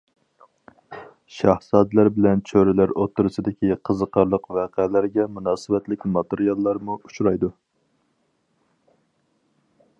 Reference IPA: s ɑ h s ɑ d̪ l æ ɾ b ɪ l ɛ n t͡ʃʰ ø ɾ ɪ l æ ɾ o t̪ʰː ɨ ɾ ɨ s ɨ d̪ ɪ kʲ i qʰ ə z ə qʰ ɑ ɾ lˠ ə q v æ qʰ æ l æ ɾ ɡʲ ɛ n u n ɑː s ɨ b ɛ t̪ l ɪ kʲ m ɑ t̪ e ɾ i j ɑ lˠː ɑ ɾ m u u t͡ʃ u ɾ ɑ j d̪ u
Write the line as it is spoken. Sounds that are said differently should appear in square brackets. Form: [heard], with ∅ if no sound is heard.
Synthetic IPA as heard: [ʃ] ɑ h s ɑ d̪ l æ ɾ b ɪ l ɛ n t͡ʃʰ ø ɾ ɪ l æ ɾ o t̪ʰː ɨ ɾ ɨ s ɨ d̪ ɪ kʲ i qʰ ə z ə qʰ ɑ ɾ lˠ ə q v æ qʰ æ l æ ɾ ɡʲ ɛ [m] u n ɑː s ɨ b ɛ t̪ l ɪ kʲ m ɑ t̪ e ɾ i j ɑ lˠː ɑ ɾ m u u t͡ʃ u ɾ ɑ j d̪ u